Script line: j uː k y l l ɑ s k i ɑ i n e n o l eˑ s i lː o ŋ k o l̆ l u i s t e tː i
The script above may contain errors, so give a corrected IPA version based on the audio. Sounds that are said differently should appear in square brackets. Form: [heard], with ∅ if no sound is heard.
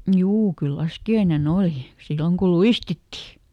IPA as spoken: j uː k y l l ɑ s k i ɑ i n e n o l [iˑ] s i lː o ŋ k [u] l̆ l u i s t [i] tː i